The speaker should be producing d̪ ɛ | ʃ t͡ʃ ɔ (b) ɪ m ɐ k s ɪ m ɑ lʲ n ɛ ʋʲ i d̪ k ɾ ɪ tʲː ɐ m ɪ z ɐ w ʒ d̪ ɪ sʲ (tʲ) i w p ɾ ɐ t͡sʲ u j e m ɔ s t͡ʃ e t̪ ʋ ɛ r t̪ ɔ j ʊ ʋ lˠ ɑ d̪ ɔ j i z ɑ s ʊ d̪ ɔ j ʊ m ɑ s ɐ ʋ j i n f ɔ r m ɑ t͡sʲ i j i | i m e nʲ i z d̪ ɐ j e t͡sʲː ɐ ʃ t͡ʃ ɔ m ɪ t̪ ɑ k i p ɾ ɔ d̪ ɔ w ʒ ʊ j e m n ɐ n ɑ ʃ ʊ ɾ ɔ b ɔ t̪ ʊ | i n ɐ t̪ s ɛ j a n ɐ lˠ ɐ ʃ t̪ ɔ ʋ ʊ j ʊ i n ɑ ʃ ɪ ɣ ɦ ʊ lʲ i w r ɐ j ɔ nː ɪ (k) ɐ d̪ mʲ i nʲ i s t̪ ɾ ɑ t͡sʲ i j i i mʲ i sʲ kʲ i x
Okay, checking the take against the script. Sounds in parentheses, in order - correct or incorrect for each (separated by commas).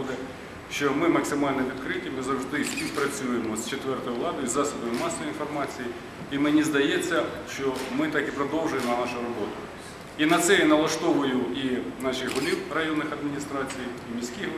incorrect, incorrect, incorrect